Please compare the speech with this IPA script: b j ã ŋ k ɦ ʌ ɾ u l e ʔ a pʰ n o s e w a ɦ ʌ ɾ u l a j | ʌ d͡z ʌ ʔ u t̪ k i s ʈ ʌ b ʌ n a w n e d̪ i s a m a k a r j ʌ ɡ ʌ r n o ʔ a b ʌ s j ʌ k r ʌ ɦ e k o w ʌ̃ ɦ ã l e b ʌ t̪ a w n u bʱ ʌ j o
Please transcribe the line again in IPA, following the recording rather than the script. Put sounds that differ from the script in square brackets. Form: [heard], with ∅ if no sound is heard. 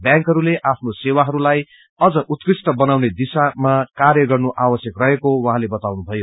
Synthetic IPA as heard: b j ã ŋ k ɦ ʌ ɾ u l e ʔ a pʰ n o s e w a ɦ ʌ ɾ u l a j | ʌ d͡z ʌ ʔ u t̪ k i s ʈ ʌ b ʌ n a w n e d̪ i s a m a k a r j ʌ ɡ ʌ r n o ʔ a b ʌ s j ʌ k r ʌ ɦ e k o w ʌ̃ ɦ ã l e b ʌ t̪ a w n u bʱ ʌ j o